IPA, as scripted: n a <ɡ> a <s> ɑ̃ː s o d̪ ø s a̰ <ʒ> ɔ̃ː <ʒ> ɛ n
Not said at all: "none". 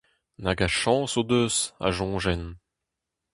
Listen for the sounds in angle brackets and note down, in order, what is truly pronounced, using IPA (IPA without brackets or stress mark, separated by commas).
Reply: ɡ, ʃ, ʒ, ʒ